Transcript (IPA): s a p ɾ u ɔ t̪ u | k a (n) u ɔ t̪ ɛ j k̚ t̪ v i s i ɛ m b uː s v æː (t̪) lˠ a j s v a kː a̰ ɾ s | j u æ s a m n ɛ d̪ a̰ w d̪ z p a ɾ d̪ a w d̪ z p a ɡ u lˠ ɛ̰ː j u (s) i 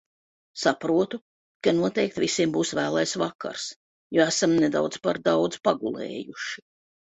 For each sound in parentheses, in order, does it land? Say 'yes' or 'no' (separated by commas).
yes, no, no